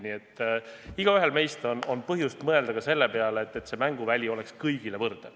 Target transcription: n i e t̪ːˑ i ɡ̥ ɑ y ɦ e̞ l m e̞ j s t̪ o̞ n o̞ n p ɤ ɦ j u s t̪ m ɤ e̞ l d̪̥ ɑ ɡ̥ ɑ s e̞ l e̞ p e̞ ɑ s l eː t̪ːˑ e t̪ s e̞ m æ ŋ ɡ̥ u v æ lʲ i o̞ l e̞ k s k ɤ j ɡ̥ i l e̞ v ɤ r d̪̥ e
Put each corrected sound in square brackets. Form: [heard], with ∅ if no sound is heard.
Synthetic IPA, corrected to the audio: n i e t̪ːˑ i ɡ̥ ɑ y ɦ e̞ l m e̞ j s t̪ o̞ n o̞ n p ɤ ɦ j u s t̪ m ɤ e̞ l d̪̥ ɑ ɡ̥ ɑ s e̞ [lː] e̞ p e̞ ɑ [∅] l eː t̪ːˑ e t̪ s e̞ m æ ŋ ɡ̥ u v æ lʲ i o̞ l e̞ k s k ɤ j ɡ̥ i l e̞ v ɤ r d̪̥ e